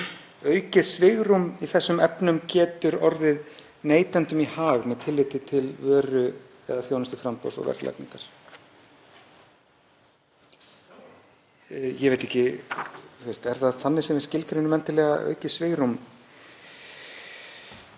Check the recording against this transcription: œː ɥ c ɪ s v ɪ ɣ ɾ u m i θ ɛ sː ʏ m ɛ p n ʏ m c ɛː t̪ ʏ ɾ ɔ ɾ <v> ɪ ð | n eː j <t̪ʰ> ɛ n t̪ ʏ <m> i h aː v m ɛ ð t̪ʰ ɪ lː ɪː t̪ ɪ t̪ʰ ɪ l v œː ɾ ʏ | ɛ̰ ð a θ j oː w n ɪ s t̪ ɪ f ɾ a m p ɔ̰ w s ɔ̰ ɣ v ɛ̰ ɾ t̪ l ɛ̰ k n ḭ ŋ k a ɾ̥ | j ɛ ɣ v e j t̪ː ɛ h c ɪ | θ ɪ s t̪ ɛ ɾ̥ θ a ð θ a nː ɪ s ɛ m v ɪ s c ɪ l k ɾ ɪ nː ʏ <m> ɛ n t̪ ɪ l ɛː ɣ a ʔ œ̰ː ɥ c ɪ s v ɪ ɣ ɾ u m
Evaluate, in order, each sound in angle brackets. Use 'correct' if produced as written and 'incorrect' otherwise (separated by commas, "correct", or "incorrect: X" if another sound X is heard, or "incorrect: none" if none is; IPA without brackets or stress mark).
incorrect: ð, incorrect: t̪, correct, correct